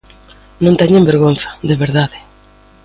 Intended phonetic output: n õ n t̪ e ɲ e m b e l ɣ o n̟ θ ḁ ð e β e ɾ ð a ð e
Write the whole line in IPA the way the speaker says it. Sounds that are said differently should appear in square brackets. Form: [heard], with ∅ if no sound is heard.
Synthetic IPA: n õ n t̪ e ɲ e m b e [ɾ] ɣ o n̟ θ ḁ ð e β e ɾ ð a ð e